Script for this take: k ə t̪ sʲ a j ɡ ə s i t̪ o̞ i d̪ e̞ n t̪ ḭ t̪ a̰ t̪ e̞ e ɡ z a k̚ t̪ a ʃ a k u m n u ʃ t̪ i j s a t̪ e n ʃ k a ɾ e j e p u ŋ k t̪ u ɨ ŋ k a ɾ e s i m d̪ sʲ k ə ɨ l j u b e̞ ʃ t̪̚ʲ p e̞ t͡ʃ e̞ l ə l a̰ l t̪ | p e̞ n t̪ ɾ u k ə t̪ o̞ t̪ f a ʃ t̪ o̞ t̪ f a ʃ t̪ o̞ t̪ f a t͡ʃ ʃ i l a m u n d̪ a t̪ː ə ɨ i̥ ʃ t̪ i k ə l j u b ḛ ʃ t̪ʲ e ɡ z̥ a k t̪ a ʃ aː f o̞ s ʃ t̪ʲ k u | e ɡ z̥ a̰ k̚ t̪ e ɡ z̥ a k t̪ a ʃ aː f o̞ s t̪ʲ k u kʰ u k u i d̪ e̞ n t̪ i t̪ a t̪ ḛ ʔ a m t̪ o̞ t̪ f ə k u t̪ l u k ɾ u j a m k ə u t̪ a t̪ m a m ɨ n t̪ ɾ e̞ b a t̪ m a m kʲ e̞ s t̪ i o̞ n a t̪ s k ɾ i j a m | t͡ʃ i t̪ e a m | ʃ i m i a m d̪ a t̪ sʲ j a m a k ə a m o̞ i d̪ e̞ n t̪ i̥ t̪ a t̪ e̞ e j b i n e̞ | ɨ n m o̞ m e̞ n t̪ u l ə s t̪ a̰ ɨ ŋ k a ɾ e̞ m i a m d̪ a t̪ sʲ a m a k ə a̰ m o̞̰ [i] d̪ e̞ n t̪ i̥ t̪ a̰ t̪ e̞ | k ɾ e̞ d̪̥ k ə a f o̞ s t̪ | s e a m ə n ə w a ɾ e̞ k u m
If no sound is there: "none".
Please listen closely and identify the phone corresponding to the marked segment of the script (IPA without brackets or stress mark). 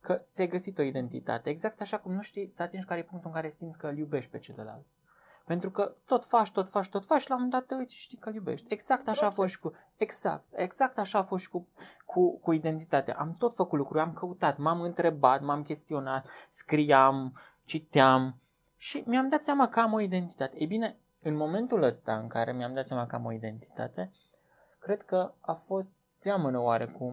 i